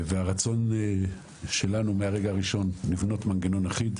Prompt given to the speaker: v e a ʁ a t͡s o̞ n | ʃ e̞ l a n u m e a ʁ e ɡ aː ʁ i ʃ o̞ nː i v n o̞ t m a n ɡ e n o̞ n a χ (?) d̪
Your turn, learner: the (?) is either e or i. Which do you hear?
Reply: i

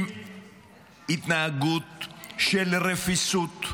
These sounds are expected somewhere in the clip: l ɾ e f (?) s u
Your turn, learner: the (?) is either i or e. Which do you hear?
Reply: i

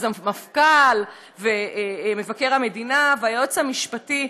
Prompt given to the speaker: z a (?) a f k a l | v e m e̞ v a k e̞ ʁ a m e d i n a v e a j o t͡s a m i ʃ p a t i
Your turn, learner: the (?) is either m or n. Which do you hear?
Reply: m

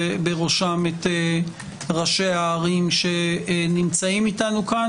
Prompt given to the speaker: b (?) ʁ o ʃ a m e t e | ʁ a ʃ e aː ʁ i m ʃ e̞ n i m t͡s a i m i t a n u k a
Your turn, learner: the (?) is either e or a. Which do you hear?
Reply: e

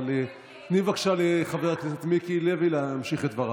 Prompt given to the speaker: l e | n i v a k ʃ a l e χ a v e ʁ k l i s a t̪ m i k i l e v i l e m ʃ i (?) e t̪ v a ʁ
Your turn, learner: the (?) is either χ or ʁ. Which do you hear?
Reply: χ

